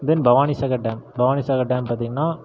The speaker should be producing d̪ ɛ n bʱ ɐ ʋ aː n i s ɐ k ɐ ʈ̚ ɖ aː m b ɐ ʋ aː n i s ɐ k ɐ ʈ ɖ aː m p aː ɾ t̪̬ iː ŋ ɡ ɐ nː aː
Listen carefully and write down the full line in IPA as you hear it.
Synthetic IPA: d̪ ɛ n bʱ ɐ ʋ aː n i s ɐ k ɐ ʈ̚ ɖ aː m b ɐ ʋ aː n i s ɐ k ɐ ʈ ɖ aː m p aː ɾ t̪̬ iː ŋ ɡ ɐ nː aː